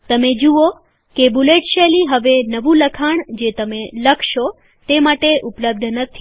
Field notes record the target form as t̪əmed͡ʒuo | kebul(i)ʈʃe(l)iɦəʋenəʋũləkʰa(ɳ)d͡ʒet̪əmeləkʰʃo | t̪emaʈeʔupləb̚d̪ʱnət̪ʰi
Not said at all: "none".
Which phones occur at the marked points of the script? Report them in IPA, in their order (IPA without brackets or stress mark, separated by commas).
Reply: e, l, ɳ